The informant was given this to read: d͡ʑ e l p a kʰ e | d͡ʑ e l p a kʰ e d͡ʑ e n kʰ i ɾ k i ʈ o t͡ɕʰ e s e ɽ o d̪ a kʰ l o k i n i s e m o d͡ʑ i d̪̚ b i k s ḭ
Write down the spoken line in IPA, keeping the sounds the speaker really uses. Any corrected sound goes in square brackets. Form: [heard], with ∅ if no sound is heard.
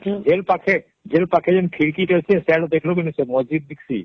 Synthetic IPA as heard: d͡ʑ e l p a kʰ e | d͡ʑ e l p a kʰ e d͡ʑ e n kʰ i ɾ k i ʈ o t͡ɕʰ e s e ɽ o d̪ [e] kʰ l o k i n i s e m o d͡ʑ i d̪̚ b i k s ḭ